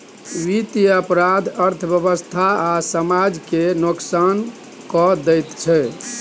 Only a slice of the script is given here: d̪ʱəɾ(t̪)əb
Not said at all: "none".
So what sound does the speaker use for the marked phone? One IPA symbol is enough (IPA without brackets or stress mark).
t̪ʰ